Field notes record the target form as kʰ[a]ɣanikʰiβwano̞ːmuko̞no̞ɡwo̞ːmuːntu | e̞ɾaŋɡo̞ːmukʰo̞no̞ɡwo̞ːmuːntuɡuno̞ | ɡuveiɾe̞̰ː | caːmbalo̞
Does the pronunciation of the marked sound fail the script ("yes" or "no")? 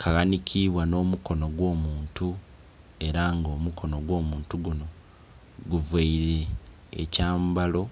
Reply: no